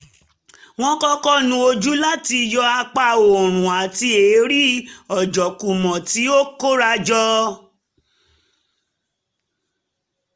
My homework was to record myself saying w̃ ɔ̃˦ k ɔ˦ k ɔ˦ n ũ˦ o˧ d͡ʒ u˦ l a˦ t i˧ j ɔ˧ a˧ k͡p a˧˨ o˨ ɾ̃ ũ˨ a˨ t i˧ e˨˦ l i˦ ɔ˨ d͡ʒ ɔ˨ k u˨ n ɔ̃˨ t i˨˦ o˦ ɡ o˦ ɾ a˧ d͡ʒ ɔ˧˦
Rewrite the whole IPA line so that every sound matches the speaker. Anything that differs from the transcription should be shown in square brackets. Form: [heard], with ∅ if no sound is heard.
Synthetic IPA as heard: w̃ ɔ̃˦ k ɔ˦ k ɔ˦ n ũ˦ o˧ d͡ʒ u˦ l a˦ t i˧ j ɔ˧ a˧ k͡p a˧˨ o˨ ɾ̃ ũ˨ a˨ t i˧ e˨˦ [ɾ] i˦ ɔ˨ d͡ʒ ɔ˨ k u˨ [m] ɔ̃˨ t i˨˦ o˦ [k] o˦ ɾ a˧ d͡ʒ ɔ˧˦